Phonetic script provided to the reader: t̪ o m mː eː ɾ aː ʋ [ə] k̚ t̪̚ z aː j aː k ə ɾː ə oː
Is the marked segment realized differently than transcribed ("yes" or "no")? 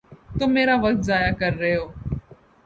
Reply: no